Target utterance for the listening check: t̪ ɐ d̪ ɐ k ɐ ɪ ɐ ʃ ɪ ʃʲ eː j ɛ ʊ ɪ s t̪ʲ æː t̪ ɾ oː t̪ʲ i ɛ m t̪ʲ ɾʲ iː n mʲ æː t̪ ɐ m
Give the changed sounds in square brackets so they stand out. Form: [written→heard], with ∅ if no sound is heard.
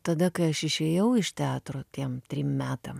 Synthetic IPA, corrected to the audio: t̪ ɐ d̪ ɐ k ɐ ɪ ɐ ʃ ɪ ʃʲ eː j ɛ ʊ ɪ [s→ʃ] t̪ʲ æː t̪ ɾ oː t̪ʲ i ɛ m t̪ʲ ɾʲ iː [n→m] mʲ æː t̪ ɐ m